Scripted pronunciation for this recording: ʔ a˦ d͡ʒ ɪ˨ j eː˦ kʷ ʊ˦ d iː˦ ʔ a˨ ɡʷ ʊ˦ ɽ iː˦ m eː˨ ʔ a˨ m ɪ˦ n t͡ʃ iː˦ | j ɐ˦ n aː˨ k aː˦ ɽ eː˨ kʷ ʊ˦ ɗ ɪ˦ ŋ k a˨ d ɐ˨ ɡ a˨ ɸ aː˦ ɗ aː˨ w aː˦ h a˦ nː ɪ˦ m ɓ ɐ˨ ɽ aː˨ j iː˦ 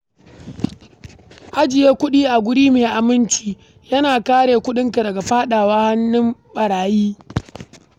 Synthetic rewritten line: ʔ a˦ d͡ʒ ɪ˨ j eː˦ kʷ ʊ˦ ɗ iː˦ ʔ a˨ ɡʷ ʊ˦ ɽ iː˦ m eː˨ ʔ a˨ m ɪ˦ n t͡ʃ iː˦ | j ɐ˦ n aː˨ k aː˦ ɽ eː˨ kʷ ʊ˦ ɗ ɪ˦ ŋ k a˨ d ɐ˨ ɡ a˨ ɸ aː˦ ɗ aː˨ w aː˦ h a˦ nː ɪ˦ m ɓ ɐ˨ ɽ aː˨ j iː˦